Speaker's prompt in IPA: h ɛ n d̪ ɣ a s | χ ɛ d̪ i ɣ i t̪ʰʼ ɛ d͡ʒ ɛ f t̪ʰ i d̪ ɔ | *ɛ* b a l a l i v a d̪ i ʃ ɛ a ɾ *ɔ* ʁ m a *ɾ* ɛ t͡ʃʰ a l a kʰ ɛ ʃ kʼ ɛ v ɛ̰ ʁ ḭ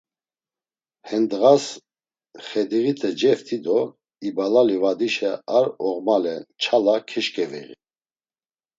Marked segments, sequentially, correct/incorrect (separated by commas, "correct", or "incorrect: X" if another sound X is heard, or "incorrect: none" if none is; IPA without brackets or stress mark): incorrect: i, correct, incorrect: l